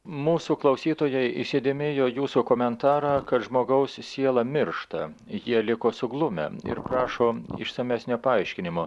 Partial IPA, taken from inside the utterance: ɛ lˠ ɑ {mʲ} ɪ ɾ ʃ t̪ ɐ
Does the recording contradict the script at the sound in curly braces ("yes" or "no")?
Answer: no